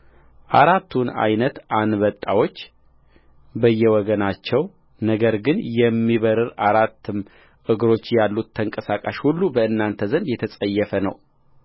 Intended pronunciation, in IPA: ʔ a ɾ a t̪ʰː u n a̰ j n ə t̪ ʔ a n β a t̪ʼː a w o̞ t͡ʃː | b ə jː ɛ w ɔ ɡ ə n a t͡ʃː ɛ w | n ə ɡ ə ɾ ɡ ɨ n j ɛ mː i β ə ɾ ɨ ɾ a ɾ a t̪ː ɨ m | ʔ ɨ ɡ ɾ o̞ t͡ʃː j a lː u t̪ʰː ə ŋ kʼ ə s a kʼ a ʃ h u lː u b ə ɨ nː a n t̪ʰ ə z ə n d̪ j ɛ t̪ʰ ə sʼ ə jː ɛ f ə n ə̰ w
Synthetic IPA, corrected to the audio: ʔ a ɾ a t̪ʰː u n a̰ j n ə t̪ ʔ a n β ə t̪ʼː a w o̞ t͡ʃː | b ə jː ɛ w ɔ ɡ ə n a t͡ʃː ɛ w | n ə ɡ ə ɾ ɡ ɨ n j ɛ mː i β ə ɾ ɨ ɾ a ɾ a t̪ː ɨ m | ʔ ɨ ɡ ɾ o̞ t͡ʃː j a lː u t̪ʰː ə ŋ kʼ ə s a kʼ a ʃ h u lː u b ə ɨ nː a n t̪ʰ ə z ə n d̪ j ɛ t̪ʰ ə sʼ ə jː ɛ f ə n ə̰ w